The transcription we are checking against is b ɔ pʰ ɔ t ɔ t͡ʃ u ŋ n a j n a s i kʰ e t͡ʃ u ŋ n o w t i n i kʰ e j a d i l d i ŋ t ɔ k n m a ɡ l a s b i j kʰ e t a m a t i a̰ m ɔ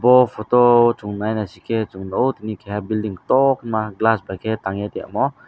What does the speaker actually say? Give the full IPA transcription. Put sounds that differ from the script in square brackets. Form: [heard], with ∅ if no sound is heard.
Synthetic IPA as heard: b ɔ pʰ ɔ t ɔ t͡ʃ u ŋ n a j n a s i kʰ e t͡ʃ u ŋ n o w t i n i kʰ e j a [b] i l d i ŋ t ɔ k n m a ɡ l a s b [a] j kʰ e t a [ŋ] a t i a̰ m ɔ